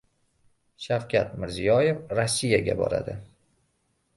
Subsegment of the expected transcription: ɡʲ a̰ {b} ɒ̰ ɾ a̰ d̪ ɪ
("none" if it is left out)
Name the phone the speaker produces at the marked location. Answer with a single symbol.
b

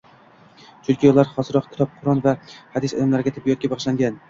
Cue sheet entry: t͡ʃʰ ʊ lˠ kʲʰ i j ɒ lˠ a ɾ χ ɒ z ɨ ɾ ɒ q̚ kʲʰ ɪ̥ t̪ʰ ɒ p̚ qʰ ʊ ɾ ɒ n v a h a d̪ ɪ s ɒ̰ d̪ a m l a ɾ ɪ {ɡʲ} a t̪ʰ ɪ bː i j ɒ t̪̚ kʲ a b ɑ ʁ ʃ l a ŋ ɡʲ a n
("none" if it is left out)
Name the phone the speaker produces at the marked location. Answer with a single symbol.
ɡʲ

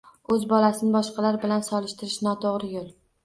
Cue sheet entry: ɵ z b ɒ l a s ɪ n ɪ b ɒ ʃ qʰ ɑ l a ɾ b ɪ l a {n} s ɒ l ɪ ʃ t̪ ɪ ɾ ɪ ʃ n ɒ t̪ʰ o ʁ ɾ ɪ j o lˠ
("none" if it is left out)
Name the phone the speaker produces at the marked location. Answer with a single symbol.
n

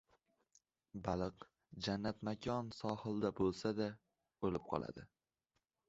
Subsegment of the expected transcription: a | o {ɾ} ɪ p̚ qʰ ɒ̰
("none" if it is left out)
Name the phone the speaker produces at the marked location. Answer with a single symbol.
l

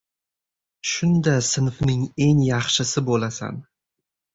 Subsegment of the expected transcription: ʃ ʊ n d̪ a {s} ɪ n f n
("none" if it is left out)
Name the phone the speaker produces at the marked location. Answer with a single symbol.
s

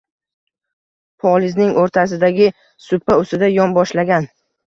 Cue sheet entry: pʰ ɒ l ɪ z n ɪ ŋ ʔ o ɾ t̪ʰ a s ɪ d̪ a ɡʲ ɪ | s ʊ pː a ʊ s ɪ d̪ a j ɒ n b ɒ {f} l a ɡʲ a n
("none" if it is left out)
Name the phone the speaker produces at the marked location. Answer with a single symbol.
ʃ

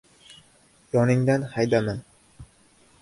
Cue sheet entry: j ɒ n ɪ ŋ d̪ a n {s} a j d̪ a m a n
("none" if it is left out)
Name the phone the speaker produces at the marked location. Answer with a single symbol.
h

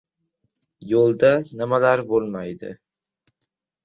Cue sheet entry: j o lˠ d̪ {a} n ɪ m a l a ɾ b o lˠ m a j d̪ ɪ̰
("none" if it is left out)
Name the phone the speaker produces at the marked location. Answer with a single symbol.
a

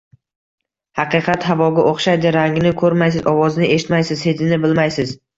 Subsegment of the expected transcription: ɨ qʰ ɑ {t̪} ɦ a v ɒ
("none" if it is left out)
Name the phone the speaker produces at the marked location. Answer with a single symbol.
t̪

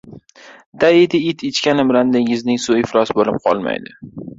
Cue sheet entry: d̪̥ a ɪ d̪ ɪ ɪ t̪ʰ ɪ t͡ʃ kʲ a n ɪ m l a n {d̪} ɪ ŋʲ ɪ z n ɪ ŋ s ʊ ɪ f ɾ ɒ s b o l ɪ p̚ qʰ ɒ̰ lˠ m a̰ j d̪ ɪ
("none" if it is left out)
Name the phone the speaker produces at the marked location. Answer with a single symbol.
d̪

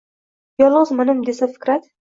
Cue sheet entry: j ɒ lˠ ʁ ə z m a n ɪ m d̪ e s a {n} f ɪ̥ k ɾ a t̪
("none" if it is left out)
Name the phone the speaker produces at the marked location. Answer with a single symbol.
none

